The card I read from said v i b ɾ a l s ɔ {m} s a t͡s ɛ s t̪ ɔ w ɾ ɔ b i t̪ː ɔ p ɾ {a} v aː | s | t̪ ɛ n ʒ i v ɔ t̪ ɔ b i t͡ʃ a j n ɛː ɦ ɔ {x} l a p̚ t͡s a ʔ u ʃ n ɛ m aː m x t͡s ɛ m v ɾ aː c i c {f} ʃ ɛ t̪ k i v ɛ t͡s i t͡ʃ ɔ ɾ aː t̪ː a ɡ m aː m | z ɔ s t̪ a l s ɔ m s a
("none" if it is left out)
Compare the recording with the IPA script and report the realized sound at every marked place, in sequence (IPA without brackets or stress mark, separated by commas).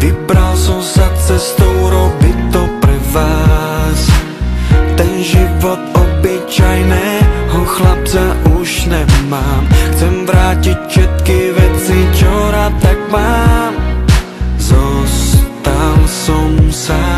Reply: m, ɛ, x, f